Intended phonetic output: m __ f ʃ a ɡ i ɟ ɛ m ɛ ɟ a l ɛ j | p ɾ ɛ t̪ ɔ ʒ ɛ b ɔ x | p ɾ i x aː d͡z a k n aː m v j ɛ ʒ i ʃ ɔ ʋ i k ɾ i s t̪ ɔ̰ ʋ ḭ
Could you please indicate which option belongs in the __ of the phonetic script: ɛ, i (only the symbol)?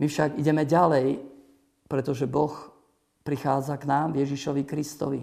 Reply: i